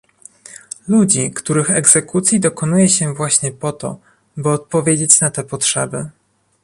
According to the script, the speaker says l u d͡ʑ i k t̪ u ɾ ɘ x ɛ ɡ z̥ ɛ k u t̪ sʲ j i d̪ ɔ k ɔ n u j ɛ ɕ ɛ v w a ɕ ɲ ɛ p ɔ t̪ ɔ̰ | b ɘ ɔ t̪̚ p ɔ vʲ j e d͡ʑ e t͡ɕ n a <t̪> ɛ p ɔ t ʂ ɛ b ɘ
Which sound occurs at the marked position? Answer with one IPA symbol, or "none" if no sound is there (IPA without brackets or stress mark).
t̪